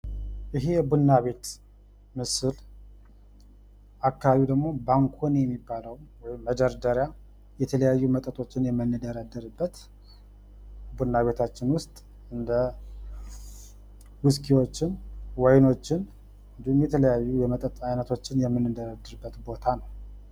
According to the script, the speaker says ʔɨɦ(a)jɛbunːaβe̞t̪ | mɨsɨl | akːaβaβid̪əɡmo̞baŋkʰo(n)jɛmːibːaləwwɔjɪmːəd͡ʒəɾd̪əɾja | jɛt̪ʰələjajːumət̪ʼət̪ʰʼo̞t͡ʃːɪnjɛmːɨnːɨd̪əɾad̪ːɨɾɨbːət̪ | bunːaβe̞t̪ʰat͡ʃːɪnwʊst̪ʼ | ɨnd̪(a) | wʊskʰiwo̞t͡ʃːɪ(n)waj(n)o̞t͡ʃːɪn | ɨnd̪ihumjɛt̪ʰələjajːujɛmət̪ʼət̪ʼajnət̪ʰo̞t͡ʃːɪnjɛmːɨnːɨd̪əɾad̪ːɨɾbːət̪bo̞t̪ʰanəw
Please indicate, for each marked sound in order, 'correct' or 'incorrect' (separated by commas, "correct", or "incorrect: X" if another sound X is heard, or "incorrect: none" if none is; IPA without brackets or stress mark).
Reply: incorrect: e, correct, incorrect: ə, correct, correct